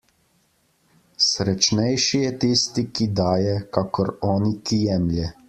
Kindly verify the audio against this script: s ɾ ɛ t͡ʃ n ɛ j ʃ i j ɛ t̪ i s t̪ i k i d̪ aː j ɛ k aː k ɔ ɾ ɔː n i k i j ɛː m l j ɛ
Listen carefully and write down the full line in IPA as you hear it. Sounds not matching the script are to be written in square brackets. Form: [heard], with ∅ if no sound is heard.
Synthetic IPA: s ɾ ɛ t͡ʃ n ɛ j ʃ i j ɛ t̪ i s t̪ i k i d̪ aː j ɛ k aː k ɔ ɾ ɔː n i k i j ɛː m l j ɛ